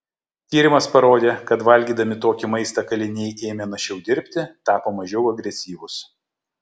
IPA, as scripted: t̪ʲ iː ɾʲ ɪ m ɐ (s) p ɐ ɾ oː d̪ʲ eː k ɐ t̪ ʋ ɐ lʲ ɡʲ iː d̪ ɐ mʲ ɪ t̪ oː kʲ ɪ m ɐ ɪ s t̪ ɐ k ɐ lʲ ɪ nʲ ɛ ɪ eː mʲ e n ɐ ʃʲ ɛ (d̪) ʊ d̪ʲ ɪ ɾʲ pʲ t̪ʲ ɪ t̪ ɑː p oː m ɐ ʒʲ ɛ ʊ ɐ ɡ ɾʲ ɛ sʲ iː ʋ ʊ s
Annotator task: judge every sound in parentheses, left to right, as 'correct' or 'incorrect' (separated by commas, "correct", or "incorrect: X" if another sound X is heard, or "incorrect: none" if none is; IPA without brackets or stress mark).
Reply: correct, incorrect: none